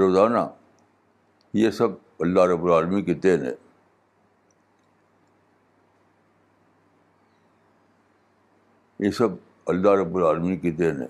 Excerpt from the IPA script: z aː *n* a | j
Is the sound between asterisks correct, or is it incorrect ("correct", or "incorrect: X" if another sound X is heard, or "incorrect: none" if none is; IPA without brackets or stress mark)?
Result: correct